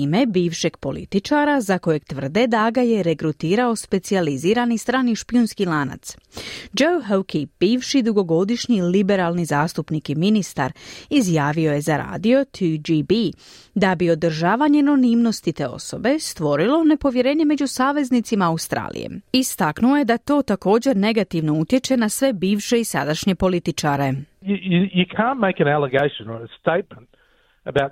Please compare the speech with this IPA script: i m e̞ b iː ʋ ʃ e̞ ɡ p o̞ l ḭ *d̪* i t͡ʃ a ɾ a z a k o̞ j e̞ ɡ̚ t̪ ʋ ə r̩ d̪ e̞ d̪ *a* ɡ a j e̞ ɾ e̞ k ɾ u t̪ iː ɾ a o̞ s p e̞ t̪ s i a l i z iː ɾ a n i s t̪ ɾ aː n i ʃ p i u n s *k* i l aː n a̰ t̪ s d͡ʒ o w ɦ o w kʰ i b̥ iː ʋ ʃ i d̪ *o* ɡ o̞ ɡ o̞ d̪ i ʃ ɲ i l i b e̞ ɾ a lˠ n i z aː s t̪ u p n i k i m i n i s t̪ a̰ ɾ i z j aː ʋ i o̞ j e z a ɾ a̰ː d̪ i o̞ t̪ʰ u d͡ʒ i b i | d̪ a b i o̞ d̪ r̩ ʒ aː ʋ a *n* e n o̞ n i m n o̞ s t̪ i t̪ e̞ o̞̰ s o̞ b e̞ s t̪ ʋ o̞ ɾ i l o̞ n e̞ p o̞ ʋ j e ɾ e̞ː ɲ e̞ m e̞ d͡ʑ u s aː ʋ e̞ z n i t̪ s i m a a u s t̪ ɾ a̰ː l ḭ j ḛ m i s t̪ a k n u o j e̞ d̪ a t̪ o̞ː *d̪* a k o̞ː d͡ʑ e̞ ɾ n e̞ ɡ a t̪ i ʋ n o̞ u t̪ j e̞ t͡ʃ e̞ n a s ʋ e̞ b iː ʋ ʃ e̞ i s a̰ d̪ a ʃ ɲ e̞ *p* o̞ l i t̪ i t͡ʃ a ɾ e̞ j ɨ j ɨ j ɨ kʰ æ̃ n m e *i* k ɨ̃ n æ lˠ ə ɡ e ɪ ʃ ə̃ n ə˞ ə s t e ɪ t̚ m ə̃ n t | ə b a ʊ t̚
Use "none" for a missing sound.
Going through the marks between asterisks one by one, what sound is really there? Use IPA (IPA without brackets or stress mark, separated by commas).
t̪, a, k, u, ɲ, t̪, p, ɪ